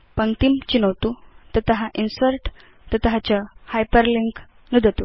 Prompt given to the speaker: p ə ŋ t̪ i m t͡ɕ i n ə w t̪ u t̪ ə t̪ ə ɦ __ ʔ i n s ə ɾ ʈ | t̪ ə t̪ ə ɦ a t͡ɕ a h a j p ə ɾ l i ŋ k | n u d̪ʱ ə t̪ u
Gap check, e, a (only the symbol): a